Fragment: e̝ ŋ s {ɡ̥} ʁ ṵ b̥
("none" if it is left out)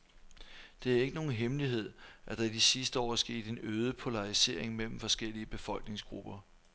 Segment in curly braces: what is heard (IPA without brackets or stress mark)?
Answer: ɡ̥